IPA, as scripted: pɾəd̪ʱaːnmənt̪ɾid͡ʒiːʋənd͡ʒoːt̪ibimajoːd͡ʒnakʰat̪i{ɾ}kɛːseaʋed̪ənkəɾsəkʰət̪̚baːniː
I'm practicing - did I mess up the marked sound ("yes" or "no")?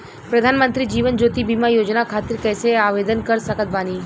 no